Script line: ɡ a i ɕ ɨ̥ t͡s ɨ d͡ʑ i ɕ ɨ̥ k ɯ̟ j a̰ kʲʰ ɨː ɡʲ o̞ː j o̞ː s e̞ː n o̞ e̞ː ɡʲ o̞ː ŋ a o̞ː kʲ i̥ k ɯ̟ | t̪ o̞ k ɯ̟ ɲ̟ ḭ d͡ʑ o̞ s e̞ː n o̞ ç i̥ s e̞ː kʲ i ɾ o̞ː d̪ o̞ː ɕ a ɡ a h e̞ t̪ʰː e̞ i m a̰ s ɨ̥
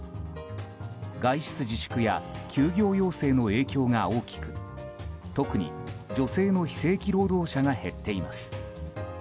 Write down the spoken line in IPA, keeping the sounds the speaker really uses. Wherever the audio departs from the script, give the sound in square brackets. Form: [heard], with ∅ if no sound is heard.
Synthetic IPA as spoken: ɡ a i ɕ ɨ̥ t͡s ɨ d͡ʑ i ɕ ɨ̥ k ɯ̟ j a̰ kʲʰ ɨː ɡʲ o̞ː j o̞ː s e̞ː n o̞ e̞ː [kʲ] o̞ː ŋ a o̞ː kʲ i̥ k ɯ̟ | t̪ o̞ k ɯ̟ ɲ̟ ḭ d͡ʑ o̞ s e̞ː n o̞ ç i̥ s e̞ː kʲ i ɾ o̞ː d̪ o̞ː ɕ a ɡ a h e̞ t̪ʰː e̞ i m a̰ s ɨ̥